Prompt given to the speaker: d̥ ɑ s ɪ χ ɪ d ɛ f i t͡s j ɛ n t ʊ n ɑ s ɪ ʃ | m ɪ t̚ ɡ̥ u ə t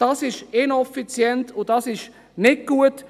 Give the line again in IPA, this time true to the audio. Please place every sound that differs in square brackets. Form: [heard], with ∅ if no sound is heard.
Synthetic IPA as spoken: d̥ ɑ s ɪ [ʃ] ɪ [n] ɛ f i t͡s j ɛ n t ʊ [d] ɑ s ɪ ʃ | [n] ɪ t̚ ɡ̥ u ə t